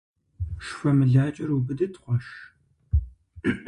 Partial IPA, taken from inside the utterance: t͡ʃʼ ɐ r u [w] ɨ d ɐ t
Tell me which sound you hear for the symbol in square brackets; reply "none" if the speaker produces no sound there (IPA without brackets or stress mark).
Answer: b